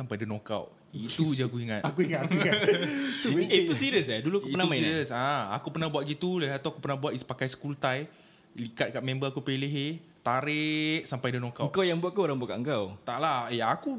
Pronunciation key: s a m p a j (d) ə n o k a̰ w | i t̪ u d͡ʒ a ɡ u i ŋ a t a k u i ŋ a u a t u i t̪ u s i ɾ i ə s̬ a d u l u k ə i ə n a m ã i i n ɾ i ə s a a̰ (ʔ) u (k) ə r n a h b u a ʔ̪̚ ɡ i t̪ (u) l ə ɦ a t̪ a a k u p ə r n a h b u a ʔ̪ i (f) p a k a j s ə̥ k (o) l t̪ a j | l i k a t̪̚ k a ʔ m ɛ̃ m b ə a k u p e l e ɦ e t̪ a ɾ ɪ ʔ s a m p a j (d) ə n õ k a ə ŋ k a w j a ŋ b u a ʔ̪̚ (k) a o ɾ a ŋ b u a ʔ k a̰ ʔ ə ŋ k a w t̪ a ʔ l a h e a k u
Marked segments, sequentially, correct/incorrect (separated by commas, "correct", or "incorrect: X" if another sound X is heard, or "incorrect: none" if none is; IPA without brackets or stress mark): correct, incorrect: k, incorrect: p, correct, incorrect: s, incorrect: u, correct, correct